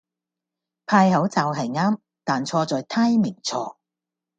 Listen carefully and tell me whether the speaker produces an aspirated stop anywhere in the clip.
yes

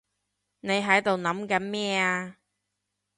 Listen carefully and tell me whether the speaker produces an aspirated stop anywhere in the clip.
no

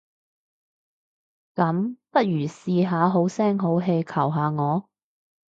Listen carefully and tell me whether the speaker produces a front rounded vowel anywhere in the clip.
yes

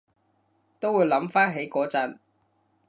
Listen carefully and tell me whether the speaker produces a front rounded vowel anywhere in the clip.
no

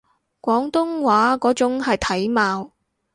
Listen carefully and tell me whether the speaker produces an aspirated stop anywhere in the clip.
yes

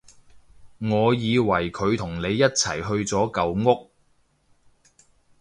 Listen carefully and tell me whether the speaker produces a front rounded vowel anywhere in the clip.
no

